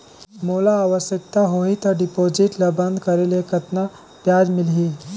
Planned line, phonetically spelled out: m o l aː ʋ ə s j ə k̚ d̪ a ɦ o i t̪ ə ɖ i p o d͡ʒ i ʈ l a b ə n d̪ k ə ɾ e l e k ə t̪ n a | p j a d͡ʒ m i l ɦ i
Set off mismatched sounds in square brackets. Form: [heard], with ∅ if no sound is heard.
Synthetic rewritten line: m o l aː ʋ ə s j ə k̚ [t̪] a ɦ o i t̪ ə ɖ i p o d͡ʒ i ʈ l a b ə n d̪ k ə ɾ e l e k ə t̪ n a | p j a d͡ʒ m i l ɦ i